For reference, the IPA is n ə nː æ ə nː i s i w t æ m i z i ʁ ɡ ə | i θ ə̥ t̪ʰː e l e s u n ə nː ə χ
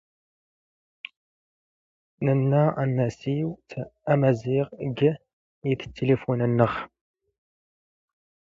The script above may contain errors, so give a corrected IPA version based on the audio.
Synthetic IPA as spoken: n ə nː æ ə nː æ s i w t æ m æ z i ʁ ɡ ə | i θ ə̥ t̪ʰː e l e f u n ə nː ə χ